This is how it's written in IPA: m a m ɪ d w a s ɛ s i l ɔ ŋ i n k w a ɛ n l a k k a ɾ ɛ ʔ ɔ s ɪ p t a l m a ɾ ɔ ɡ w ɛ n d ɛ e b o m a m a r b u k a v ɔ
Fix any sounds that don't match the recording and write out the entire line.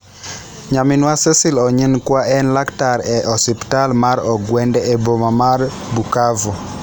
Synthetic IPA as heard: ɲ a m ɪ n w a s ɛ s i l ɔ ɲ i n k w a ɛ n l a k t a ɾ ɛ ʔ ɔ s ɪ p t a l m a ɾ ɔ ɡ w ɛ n d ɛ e b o m a m a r b u k a v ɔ